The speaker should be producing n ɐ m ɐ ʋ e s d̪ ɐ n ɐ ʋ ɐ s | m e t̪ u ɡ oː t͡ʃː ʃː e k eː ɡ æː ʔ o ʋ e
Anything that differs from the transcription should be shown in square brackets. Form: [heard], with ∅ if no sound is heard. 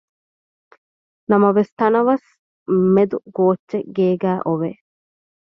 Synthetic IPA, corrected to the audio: n ɐ m ɐ ʋ e s [t̪] ɐ n ɐ ʋ ɐ s | m e [d̪] u ɡ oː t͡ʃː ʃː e [ɡ] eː ɡ æː ʔ o ʋ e